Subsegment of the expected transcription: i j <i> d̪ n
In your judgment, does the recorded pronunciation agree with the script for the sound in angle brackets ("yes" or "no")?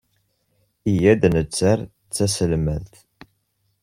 no